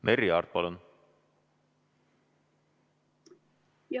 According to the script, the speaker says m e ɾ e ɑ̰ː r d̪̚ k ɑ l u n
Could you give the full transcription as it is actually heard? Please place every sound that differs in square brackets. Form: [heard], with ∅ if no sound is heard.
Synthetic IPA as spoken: m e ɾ [i] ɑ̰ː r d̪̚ [p] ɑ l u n